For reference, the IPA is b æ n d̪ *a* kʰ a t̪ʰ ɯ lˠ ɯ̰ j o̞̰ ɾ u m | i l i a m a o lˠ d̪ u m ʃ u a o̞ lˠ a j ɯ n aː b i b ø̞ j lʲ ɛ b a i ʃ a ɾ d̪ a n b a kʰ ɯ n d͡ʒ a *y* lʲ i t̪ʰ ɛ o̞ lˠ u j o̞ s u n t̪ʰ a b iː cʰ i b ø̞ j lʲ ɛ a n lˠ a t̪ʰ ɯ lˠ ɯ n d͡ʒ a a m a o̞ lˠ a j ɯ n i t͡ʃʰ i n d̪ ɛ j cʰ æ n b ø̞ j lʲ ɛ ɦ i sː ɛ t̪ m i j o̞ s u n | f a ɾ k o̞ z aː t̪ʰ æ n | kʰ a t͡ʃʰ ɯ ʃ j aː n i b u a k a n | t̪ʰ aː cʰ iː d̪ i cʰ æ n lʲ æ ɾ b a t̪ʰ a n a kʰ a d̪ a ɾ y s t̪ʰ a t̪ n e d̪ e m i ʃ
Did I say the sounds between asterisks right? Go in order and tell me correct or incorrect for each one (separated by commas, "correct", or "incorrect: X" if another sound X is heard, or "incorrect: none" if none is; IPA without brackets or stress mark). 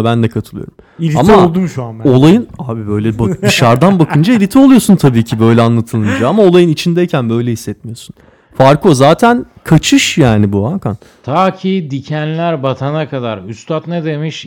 incorrect: ɛ, incorrect: i